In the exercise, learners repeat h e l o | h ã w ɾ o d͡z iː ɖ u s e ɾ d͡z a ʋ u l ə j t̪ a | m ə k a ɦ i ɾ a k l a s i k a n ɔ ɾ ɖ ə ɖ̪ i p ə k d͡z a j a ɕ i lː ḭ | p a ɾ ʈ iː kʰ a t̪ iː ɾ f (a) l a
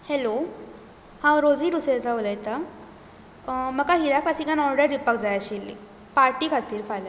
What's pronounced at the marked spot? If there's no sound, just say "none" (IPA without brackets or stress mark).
a